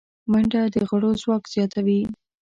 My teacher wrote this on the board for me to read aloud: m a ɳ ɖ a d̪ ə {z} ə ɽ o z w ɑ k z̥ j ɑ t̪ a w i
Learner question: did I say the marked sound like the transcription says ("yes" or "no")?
no